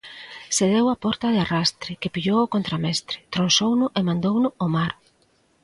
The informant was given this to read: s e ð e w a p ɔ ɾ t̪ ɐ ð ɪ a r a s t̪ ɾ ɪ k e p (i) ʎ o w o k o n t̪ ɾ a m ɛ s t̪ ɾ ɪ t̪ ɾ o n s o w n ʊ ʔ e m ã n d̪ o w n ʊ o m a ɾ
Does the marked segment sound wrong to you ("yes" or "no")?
no